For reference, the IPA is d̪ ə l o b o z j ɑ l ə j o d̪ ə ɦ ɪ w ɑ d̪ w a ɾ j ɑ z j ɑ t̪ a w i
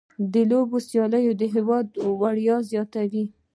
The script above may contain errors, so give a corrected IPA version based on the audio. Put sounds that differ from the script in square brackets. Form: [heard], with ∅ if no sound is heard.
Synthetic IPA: d̪ ə l o b o [s] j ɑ l ə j o d̪ ə ɦ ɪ w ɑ d̪ w a [ɽ] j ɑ z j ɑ t̪ a w i